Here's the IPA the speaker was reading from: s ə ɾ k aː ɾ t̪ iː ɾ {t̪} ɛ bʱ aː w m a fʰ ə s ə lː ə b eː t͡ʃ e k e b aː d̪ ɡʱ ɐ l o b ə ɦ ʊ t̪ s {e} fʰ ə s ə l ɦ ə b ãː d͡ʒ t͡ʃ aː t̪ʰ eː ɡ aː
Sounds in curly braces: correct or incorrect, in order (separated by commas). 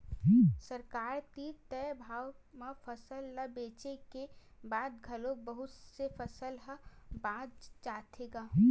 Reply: correct, correct